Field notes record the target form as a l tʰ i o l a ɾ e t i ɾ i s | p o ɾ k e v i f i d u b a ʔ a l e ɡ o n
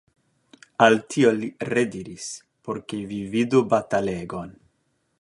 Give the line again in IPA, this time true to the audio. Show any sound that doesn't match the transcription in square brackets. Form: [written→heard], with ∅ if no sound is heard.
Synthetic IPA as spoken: a l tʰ i o l [a→i] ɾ e [t→d] i ɾ i s | p o ɾ k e v i [f→v] i d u b a [ʔ→t] a l e ɡ o n

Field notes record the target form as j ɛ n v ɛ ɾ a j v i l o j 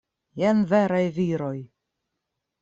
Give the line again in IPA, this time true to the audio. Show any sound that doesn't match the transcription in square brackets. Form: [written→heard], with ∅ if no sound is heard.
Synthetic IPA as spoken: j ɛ n v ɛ ɾ a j v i [l→ɾ] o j

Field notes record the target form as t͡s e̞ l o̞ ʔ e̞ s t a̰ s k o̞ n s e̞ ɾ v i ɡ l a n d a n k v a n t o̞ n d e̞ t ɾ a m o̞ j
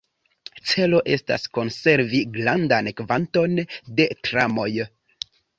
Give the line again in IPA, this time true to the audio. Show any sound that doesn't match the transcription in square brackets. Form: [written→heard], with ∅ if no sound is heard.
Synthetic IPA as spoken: t͡s e̞ l o̞ ʔ e̞ s t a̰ s k o̞ n s e̞ ɾ v i ɡ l a n d a n k v a n t o̞ n d e̞ t ɾ a m o̞ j

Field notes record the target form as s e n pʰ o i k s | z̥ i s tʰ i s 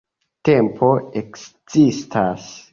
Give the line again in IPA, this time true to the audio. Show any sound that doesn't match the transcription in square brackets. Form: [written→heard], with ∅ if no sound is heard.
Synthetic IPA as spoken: [s→t] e [n→m] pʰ o [i→e] k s | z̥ i s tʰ [i→a] s

